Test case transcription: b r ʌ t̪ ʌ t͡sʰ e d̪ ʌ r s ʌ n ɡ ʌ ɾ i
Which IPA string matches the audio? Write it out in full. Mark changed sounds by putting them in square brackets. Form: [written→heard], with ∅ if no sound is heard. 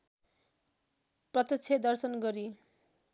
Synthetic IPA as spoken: [b→p] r ʌ t̪ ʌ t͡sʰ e d̪ ʌ r s ʌ n ɡ ʌ ɾ i

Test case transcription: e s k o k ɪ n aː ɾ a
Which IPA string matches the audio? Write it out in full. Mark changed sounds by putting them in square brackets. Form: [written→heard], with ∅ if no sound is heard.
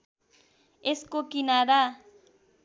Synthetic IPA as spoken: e s k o k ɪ n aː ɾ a

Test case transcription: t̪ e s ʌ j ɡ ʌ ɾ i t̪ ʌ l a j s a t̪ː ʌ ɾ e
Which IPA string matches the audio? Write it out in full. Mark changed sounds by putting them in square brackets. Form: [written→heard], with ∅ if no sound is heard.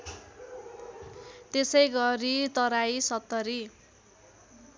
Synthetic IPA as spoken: t̪ e s ʌ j ɡ ʌ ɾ i t̪ ʌ [l→ɾ] a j s [a→ʌ] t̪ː ʌ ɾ [e→i]

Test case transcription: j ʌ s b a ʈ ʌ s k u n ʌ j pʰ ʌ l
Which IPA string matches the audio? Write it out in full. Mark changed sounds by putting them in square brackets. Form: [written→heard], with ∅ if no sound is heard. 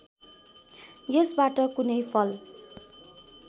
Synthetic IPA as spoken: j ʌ s b a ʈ ʌ [s→∅] k u n ʌ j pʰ ʌ l

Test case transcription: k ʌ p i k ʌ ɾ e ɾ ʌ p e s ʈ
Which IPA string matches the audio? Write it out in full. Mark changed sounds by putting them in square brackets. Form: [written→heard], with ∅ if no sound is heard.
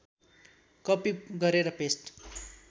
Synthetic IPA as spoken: k ʌ p i [k→ɡ] ʌ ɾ e ɾ ʌ p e s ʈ

